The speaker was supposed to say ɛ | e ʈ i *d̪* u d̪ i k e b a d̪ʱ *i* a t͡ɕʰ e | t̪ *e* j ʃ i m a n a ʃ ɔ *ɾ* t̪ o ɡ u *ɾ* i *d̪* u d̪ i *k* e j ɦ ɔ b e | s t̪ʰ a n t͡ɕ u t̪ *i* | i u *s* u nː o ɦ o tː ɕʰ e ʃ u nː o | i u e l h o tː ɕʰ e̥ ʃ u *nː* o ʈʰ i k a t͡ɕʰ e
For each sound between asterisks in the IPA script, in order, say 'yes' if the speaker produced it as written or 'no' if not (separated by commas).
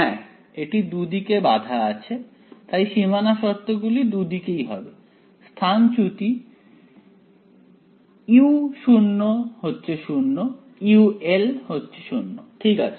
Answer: yes, no, no, yes, no, yes, yes, yes, no, yes